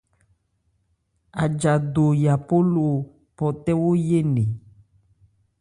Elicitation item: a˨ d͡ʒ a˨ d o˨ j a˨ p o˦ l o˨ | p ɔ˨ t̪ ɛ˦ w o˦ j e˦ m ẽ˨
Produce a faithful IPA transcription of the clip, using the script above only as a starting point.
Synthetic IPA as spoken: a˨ d͡ʒ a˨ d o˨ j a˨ p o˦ l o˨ | p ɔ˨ t̪ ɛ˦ w o˦ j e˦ n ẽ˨